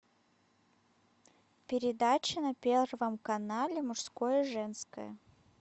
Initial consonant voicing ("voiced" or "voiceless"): voiceless